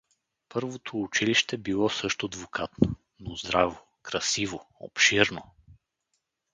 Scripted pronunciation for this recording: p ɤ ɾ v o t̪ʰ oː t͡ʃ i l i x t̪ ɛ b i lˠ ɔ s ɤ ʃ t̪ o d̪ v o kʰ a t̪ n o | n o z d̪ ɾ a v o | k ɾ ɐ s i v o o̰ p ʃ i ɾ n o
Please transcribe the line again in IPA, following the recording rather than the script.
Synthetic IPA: p ɤ ɾ v o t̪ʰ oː t͡ʃ i l i ʃ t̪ ɛ b i lˠ ɔ s ɤ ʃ t̪ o d̪ v o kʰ a t̪ n o | n o z d̪ ɾ a v o | k ɾ ɐ s i v o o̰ p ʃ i ɾ n o